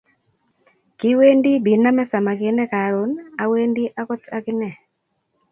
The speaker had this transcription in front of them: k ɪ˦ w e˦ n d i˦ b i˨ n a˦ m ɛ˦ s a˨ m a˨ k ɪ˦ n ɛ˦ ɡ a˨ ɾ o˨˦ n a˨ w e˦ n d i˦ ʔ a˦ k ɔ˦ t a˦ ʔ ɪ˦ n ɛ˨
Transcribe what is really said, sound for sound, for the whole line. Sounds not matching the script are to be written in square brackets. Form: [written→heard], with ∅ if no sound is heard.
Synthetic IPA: k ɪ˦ w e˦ n d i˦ b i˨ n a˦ m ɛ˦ s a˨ m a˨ k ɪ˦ n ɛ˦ [ɡ→k] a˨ ɾ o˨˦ n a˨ w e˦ n d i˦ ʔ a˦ k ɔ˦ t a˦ [ʔ→k] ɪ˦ n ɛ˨

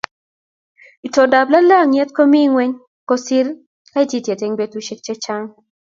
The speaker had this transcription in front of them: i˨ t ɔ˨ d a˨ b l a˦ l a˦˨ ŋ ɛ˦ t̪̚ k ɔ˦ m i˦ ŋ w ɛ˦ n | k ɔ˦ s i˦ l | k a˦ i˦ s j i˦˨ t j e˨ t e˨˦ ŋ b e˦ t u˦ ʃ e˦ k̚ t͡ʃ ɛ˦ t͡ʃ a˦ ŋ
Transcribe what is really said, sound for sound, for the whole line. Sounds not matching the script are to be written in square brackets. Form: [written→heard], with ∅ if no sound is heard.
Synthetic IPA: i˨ t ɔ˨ d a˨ b l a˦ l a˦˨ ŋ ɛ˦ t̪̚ k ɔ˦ m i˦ ŋ w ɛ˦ [n→ɲ] | k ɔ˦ s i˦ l | k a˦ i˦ [s→t] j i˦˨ t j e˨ t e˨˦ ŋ b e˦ t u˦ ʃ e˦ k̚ t͡ʃ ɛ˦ t͡ʃ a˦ ŋ

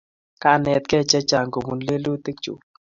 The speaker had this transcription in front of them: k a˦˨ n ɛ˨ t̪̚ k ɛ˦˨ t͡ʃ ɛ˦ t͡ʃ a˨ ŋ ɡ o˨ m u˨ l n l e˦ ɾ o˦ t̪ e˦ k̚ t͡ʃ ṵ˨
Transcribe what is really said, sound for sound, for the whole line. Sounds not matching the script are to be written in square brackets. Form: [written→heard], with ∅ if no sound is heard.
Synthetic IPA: k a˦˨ n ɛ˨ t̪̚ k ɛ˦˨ t͡ʃ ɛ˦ t͡ʃ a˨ ŋ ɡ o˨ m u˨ [l→∅] n l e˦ [ɾ→l] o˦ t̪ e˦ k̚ t͡ʃ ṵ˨

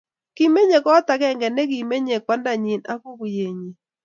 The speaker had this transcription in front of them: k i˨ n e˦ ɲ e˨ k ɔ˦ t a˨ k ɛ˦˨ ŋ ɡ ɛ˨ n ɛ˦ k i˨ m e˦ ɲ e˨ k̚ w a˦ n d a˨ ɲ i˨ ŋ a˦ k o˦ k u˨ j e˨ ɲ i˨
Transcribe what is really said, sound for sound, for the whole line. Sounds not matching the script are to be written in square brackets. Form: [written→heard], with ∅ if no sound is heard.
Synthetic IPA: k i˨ [n→m] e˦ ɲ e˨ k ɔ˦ t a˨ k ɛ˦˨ ŋ ɡ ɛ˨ n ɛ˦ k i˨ m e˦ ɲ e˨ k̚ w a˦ n d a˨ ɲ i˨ [ŋ→n] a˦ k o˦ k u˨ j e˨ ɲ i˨

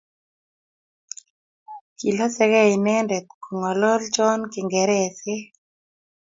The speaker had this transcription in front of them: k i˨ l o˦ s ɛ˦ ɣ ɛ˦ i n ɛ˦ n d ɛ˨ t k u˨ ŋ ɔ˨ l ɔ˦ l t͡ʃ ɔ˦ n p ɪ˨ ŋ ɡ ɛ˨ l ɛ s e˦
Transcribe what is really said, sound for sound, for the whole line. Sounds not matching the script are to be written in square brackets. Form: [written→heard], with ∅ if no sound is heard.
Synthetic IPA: k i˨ l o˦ s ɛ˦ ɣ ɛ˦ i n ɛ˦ n d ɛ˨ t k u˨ ŋ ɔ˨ l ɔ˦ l t͡ʃ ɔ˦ n [p→k] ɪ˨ ŋ ɡ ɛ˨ [l→ɾ] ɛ s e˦

